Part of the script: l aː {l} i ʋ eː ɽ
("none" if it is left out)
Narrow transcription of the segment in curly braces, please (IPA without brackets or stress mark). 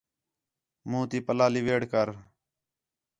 l